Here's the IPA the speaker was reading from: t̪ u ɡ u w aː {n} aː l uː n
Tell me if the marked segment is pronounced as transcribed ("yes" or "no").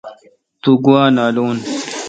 yes